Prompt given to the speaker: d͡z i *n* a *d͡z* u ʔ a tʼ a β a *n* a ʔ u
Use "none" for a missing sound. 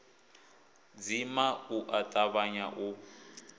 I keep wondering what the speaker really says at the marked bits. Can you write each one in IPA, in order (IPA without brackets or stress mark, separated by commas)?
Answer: m, none, ɲ